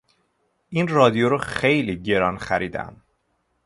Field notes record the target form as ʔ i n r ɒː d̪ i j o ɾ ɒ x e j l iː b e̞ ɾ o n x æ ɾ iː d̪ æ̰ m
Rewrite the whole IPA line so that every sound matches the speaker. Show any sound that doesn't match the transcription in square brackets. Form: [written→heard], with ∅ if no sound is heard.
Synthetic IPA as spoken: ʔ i n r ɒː d̪ i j o ɾ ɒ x e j l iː [b→ɟ] e̞ ɾ [o→ɒ] n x æ ɾ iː d̪ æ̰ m